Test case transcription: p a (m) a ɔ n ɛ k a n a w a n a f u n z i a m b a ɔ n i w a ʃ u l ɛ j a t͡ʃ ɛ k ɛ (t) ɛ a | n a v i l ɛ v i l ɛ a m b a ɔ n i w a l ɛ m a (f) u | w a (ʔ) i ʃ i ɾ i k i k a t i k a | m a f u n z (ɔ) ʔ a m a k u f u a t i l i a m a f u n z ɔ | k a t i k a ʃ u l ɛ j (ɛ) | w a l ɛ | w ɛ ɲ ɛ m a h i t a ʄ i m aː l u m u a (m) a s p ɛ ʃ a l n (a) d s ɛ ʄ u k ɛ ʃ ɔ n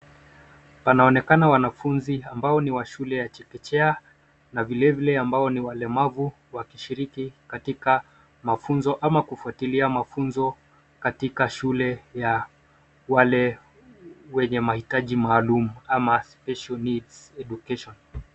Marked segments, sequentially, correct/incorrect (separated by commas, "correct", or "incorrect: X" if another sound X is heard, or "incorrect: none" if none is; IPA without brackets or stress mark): incorrect: n, incorrect: t͡ʃ, incorrect: v, incorrect: k, correct, incorrect: a, correct, incorrect: i